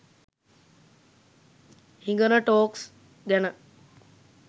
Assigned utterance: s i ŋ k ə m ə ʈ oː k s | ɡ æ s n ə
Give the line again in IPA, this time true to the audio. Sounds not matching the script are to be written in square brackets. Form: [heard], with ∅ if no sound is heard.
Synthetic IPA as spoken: [h] i ŋ [ɡ] ə [n] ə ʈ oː k s | ɡ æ [∅] n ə